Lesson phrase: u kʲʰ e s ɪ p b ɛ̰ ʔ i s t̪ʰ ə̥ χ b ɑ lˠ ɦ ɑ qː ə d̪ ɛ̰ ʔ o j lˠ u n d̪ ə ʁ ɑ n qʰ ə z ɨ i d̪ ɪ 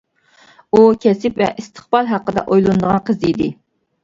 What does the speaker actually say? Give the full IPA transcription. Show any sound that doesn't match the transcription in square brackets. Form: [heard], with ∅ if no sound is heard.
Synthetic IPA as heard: u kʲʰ [ɛ] s ɪ p [v] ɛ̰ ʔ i s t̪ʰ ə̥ χ b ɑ lˠ ɦ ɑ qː ə d̪ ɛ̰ ʔ o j lˠ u n d̪ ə ʁ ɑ n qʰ ə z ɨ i d̪ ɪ